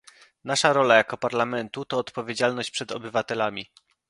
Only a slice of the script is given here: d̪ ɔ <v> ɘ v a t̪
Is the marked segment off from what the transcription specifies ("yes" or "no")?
yes